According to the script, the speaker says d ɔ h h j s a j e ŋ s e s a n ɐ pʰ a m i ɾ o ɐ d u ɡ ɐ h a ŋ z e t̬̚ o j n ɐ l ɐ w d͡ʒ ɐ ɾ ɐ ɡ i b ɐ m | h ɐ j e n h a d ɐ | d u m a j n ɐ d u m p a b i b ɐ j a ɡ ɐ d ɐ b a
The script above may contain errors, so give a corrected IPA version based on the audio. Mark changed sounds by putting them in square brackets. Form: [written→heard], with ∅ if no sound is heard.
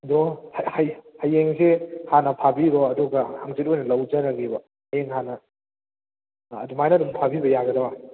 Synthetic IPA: d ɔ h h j [s→h] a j e ŋ s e [s→h] a n ɐ pʰ a [m→b] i ɾ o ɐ d u ɡ ɐ h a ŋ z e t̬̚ o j n ɐ l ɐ w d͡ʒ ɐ ɾ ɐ ɡ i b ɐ [m→∅] | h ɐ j e [n→ŋ] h a [d→n] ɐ | d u m a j n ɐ d u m [p→pʰ] a b i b ɐ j a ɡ ɐ d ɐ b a